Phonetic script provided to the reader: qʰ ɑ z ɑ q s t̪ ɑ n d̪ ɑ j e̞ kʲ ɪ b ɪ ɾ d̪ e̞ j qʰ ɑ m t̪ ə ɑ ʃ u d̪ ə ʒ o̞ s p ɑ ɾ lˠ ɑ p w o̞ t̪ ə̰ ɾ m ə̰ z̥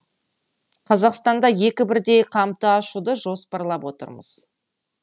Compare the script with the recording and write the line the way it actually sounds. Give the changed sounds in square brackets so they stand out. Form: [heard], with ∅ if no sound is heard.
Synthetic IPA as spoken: qʰ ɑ z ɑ q s t̪ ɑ n d̪ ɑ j e̞ kʲ ɪ b ɪ ɾ d̪ e̞ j qʰ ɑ m t̪ ə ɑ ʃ u d̪ ə ʒ o̞ s p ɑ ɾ lˠ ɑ p w o̞ t̪ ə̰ ɾ m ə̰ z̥